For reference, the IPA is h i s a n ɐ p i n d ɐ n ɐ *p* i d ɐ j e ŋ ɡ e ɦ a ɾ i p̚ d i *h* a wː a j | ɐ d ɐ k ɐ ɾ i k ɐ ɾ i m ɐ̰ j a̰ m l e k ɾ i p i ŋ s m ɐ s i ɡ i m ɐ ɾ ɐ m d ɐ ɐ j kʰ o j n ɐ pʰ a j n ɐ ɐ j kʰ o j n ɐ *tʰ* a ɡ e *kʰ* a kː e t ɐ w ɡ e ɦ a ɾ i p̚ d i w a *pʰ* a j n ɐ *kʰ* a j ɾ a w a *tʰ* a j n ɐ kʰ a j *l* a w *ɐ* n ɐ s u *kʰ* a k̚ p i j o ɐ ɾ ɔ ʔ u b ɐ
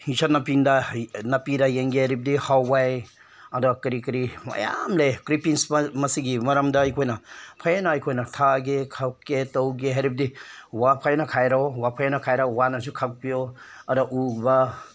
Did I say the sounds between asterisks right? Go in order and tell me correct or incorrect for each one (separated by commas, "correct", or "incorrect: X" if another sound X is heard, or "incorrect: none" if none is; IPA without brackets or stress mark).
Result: correct, correct, correct, correct, correct, correct, incorrect: pʰ, incorrect: ɾ, incorrect: a, correct